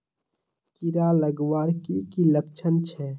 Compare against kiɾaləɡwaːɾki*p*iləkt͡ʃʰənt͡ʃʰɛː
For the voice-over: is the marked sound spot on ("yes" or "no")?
no